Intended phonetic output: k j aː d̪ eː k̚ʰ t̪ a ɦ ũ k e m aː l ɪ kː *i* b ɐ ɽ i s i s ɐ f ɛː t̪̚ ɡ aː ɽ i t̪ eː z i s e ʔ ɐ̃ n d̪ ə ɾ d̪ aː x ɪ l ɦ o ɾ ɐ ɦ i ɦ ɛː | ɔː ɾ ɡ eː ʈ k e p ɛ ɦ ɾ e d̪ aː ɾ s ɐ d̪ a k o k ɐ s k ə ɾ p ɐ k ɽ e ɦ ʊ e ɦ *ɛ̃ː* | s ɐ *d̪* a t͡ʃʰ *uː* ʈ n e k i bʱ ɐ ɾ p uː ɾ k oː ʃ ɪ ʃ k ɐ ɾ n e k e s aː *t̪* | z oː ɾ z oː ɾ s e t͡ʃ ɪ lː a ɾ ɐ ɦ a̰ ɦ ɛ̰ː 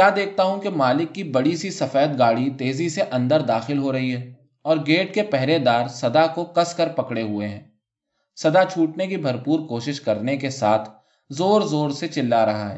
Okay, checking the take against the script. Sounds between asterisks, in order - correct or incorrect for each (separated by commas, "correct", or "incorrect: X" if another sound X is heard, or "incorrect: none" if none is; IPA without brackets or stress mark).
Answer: correct, correct, correct, correct, incorrect: t̪ʰ